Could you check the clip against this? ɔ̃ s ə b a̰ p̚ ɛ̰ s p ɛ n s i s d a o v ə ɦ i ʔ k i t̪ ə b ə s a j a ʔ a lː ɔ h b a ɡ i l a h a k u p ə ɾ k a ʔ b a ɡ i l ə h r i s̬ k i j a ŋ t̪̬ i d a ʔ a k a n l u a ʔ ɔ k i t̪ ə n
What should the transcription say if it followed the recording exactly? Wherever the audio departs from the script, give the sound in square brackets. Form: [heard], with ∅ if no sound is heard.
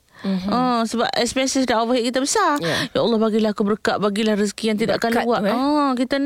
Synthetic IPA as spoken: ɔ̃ s ə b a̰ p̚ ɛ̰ s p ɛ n s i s d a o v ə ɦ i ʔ k i t̪ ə b ə s a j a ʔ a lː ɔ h b a ɡ i l a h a k u [b] ə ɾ k a ʔ b a ɡ i l [a] h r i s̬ k i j a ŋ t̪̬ i d a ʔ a k a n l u a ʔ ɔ k i t̪ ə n